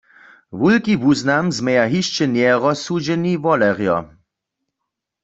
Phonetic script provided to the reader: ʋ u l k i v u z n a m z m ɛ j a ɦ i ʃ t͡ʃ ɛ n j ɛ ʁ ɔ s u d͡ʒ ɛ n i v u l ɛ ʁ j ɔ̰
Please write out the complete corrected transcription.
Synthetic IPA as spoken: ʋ u l k i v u z n a m z m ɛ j a ɦ i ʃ t͡ʃ ɛ n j ɛ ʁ ɔ s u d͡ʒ ɛ n i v ɔ l ɛ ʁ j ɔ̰